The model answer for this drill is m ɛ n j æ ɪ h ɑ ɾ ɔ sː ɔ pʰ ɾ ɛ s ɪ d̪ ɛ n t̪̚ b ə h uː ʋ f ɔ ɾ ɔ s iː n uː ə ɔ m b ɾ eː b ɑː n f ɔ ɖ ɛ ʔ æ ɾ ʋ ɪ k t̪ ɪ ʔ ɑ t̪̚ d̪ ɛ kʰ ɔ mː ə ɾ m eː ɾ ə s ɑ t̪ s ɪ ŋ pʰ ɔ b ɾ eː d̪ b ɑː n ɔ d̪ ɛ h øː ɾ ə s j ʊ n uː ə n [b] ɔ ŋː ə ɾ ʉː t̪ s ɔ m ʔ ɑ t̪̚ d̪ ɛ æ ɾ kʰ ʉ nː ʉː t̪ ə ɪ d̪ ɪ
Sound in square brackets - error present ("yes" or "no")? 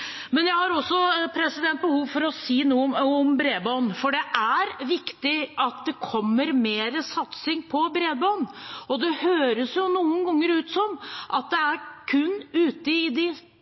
yes